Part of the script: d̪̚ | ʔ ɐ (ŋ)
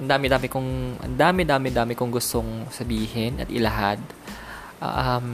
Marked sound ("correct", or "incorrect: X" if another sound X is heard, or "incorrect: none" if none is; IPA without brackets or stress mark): incorrect: m